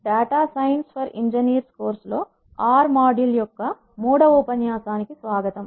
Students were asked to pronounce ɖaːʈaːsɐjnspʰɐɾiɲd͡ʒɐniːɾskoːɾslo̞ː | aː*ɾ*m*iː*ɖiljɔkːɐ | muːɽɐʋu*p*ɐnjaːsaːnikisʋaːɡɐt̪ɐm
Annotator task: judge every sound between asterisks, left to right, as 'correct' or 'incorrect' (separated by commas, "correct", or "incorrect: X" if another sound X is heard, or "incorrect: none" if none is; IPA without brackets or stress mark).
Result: correct, incorrect: aː, correct